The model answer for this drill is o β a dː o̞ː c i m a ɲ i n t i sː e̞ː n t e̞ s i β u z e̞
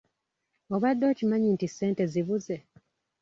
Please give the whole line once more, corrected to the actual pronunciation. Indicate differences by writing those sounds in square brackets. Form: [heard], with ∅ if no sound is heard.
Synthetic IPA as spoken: o β a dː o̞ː c i m a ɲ i n t i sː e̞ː n t e̞ [z] i β u z e̞